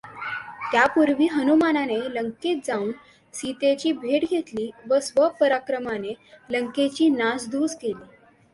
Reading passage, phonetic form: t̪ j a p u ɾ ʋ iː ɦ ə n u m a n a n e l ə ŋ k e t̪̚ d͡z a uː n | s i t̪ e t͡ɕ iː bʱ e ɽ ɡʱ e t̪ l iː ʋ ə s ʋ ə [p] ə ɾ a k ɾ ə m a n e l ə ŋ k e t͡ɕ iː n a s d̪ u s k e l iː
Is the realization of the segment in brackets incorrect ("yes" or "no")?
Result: no